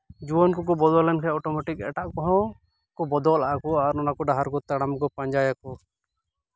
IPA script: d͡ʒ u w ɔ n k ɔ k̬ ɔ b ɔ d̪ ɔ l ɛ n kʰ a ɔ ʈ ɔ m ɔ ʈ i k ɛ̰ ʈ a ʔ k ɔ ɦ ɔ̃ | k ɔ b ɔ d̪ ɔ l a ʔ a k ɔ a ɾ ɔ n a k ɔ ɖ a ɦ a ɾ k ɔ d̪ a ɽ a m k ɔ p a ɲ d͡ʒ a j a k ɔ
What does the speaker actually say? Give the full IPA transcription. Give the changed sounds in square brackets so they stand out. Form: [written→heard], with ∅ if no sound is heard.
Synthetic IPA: d͡ʒ u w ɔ n k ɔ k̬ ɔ b ɔ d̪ ɔ l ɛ n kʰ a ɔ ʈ ɔ m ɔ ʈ i k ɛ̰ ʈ a ʔ k ɔ ɦ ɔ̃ | k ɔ b ɔ d̪ ɔ l a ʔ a k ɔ a ɾ ɔ n a k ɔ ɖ a ɦ a ɾ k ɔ [d̪→t̪] a ɽ a m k ɔ p a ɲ d͡ʒ a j a k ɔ

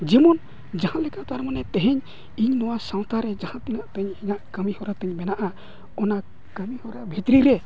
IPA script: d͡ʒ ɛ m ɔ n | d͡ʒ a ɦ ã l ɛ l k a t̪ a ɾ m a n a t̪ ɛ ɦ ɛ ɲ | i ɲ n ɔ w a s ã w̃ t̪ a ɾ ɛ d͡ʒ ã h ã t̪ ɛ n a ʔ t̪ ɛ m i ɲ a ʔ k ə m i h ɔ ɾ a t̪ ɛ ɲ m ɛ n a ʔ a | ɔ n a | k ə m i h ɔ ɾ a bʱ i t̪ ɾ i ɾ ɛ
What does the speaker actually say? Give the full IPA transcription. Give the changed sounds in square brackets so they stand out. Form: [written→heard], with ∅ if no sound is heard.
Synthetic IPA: d͡ʒ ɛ m ɔ n | d͡ʒ a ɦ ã l ɛ [l→∅] k a t̪ a ɾ m a n [a→ɛ] t̪ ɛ ɦ ɛ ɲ | i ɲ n ɔ w a s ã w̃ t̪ a ɾ ɛ d͡ʒ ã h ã t̪ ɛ n a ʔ t̪ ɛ [m→ɲ] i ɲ a ʔ k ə m i h ɔ ɾ a t̪ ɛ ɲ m ɛ n a ʔ a | ɔ n a | k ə m i h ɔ ɾ a bʱ i t̪ ɾ i ɾ ɛ

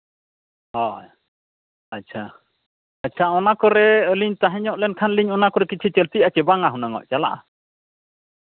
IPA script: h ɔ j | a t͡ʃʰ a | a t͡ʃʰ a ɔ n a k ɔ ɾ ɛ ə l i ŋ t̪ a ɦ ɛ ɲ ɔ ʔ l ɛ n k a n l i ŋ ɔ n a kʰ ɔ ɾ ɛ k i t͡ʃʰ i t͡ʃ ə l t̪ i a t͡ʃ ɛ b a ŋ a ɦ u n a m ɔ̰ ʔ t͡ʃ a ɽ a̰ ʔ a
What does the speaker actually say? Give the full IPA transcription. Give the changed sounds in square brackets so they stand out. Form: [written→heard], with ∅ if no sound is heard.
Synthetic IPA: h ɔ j | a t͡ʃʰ a | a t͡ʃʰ a ɔ n a k ɔ ɾ ɛ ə l i [ŋ→ɲ] t̪ a ɦ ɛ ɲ ɔ ʔ l ɛ n [k→kʰ] a n l i [ŋ→ɲ] ɔ n a [kʰ→k] ɔ ɾ ɛ k i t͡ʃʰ i t͡ʃ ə l t̪ i a t͡ʃ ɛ b a ŋ a ɦ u n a [m→ŋ] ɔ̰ ʔ t͡ʃ a [ɽ→l] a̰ ʔ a

